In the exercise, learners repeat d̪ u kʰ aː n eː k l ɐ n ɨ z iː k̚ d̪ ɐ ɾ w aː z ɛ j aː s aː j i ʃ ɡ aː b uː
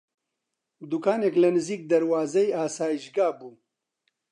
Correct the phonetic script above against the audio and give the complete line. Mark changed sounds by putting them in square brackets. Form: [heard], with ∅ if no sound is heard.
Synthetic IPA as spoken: d̪ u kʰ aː n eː k l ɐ n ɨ z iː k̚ d̪ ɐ ɾ w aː z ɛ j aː s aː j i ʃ ɡ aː b uː

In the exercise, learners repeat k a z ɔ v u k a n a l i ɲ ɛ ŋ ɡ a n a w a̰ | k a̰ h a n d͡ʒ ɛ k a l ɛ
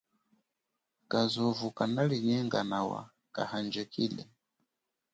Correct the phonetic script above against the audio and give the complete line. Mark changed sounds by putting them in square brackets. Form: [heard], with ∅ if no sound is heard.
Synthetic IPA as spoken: k a z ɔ v u k a n a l i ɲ ɛ ŋ ɡ a n a w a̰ | k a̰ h a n d͡ʒ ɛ k [i] l ɛ

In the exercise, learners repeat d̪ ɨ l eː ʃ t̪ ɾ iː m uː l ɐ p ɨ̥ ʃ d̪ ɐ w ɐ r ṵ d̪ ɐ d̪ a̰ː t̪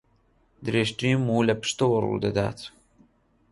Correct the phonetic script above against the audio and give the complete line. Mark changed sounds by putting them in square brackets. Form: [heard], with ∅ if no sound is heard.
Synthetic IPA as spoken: d̪ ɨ [ɾ] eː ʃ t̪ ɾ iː m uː l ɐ p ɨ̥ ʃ [t̪] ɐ w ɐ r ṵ d̪ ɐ d̪ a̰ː t̪

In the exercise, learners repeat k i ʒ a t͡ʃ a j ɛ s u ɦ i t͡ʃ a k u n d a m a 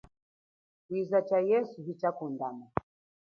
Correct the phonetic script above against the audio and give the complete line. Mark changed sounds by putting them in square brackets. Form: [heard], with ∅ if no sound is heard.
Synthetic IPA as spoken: k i [z] a t͡ʃ a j ɛ s u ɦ i t͡ʃ a k u n d a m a

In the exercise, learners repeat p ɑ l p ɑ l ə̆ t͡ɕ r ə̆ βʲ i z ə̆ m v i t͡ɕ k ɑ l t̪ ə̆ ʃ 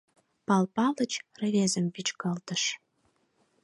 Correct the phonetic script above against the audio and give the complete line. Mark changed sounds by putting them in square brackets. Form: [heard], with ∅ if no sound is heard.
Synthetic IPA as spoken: p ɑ l p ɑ l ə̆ t͡ɕ r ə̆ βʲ [e] z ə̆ m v i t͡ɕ k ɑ l t̪ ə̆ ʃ

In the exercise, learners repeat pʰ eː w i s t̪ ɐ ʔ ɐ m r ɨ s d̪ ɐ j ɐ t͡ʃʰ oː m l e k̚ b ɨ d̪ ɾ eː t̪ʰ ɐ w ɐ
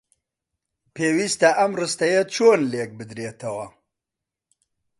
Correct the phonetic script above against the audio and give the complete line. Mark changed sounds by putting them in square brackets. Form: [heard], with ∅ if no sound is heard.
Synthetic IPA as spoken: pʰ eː w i s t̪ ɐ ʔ ɐ m r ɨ s [t̪] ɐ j ɐ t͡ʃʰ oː [n] l e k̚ b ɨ d̪ ɾ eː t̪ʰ ɐ w ɐ

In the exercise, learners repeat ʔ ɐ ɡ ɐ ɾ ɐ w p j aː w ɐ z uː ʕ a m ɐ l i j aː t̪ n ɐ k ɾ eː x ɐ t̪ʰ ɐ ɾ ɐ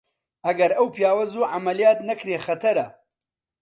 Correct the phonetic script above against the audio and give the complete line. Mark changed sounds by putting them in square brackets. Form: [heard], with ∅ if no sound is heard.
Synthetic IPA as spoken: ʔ ɐ ɡ ɐ ɾ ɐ w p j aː w ɐ z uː ʕ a m ɐ l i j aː t̪ n ɐ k ɾ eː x ɐ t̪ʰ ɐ ɾ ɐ

